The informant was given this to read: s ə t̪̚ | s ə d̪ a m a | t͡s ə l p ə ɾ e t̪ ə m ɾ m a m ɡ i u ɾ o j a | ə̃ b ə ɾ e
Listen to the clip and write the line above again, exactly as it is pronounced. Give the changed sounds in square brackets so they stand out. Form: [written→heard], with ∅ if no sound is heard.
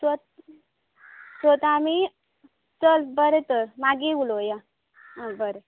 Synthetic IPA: s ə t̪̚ | s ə [d̪→t̪] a m [a→i] | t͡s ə l [p→b] ə ɾ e t̪ ə [m→∅] ɾ m a [m→∅] ɡ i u [ɾ→l] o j a | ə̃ b ə ɾ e